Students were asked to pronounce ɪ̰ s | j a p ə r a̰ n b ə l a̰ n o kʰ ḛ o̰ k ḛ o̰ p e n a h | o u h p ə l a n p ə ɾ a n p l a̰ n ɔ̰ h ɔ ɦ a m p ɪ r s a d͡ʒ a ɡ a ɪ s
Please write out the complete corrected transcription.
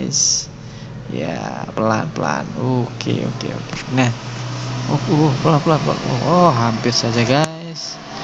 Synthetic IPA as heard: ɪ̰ s | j a p ə l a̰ n p ə l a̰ n o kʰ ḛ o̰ k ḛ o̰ k e n a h | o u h p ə l a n p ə l a n p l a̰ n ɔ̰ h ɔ ɦ a m p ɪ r s a d͡ʒ a ɡ a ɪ s